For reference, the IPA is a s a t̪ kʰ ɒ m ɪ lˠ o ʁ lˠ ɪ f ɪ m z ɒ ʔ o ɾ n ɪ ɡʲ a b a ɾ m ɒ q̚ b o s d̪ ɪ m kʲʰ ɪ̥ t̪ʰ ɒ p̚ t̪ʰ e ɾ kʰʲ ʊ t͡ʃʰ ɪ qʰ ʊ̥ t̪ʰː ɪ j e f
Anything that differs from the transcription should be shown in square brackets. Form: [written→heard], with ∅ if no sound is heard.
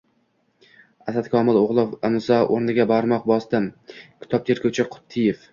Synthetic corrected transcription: a s a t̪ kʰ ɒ m ɪ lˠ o ʁ lˠ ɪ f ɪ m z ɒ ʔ o ɾ n ɪ ɡʲ a b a ɾ m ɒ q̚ b [o→ɒ] s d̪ ɪ m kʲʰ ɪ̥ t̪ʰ ɒ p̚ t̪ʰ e ɾ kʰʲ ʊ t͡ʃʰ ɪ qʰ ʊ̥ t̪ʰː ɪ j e f